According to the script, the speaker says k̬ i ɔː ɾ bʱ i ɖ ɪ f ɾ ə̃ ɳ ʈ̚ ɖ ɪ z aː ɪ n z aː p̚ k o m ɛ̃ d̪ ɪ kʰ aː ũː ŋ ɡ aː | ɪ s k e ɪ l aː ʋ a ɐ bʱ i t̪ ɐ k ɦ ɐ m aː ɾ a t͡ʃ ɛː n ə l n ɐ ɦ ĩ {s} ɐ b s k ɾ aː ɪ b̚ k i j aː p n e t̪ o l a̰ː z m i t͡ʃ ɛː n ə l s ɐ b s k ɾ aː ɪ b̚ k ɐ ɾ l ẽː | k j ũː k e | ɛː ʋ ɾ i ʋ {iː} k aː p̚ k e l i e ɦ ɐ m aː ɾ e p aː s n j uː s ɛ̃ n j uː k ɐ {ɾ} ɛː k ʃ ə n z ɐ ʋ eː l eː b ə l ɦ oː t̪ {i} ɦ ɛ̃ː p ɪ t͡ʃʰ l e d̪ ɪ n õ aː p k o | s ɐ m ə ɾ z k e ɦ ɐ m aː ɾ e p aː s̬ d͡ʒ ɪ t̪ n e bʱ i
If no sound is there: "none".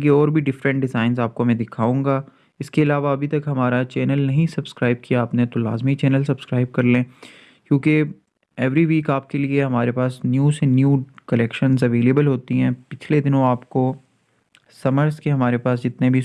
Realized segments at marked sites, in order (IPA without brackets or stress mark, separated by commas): s, iː, l, i